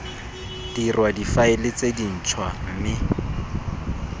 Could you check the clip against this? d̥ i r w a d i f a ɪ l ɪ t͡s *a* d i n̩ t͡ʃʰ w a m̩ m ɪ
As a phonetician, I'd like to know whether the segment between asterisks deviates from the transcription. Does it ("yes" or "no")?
yes